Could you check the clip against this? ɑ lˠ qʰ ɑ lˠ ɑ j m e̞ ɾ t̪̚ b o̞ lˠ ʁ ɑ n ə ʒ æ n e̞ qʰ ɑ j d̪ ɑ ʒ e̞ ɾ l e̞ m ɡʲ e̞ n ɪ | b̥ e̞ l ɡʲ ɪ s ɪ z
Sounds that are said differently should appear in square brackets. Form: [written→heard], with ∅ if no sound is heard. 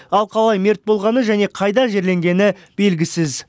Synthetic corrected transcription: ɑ lˠ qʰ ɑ lˠ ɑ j m e̞ ɾ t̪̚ b o̞ lˠ ʁ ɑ n ə ʒ æ n e̞ qʰ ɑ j d̪ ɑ ʒ e̞ ɾ l e̞ [m→ŋ] ɡʲ e̞ n ɪ | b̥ e̞ l ɡʲ ɪ s ɪ z